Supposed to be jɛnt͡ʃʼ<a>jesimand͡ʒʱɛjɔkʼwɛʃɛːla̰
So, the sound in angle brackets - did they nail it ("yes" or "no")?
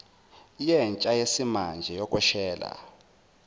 yes